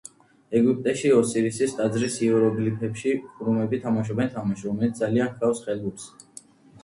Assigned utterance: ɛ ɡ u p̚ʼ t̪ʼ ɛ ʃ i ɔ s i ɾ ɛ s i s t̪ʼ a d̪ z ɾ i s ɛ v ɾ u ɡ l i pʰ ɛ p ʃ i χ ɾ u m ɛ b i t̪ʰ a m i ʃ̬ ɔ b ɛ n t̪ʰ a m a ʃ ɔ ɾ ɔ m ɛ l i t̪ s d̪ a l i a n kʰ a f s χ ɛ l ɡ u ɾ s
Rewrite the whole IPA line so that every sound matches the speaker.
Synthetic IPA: ɛ ɡ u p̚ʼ t̪ʼ ɛ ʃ i ɔ s i ɾ i s i s t̪ʼ a d̪ z ɾ i s ɛ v ɾ ɔ ɡ l i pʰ ɛ p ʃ i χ ɾ u m ɛ b i t̪ʰ a m a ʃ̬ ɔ b ɛ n t̪ʰ a m a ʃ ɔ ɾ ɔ m ɛ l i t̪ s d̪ a l i a n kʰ a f s χ ɛ l ɡ u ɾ s